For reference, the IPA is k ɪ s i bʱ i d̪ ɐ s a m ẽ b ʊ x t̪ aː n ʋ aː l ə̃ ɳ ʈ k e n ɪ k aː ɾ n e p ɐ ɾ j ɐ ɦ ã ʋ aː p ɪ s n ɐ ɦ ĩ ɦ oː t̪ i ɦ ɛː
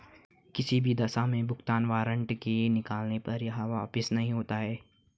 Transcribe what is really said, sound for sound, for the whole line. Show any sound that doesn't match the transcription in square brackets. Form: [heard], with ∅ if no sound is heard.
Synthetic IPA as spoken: k ɪ s i bʱ i d̪ ɐ s a m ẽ b ʊ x t̪ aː n ʋ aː [ɾ] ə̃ ɳ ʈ k e n ɪ k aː [l] n e p ɐ ɾ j ɐ ɦ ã ʋ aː p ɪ s n ɐ ɦ ĩ ɦ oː t̪ [a] ɦ ɛː